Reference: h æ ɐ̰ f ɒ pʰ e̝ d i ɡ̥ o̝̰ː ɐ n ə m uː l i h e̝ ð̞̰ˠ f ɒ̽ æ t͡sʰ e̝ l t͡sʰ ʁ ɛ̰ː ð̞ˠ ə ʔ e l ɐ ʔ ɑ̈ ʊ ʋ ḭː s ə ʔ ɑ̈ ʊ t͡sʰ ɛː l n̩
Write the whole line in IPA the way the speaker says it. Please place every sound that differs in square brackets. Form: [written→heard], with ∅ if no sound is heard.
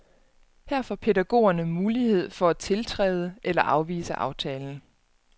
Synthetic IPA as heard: h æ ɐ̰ f ɒ pʰ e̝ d [i→æ] ɡ̥ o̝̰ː ɐ n ə m uː l i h e̝ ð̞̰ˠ f ɒ̽ æ t͡sʰ e̝ l t͡sʰ ʁ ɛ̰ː ð̞ˠ ə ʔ e l ɐ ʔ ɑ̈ ʊ ʋ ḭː s ə ʔ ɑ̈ ʊ t͡sʰ ɛː l n̩